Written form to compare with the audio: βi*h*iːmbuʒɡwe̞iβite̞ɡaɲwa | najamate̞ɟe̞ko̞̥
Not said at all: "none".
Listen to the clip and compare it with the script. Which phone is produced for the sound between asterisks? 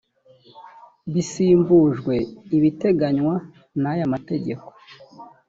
s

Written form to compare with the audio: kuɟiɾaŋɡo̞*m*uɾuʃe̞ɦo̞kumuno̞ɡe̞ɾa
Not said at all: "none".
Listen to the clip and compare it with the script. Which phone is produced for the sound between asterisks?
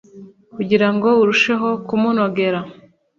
none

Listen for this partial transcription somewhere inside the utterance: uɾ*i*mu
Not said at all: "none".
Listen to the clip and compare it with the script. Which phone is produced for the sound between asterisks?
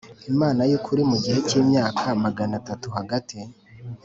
i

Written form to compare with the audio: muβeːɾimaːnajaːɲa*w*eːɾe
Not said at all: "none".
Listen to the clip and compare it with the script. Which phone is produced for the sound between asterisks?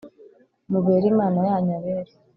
β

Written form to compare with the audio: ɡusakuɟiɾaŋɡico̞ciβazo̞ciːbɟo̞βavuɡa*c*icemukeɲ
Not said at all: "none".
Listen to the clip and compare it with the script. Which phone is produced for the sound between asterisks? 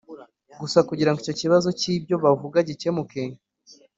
ɟ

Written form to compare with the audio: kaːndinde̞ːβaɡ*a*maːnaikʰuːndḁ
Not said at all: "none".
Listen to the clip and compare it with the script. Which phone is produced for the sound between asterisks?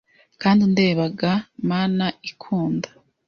a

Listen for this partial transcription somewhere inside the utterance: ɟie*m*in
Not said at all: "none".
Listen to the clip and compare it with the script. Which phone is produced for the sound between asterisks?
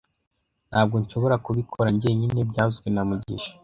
ɲ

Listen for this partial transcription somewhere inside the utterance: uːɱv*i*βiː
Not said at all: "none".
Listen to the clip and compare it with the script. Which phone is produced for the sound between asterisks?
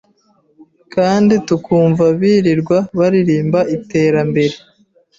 a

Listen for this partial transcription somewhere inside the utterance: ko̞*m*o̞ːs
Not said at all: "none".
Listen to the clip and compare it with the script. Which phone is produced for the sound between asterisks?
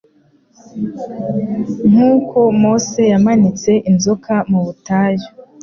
m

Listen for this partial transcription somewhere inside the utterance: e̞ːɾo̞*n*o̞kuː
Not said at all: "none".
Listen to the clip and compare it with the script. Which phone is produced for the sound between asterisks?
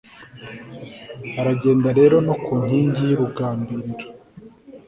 n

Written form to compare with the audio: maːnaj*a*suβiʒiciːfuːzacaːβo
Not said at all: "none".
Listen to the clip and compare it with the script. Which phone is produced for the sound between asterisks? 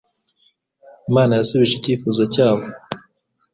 a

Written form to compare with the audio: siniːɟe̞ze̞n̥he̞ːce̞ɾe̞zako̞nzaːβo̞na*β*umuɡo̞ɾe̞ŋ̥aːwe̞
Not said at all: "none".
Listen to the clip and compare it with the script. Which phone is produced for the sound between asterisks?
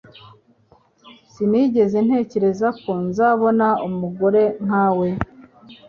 none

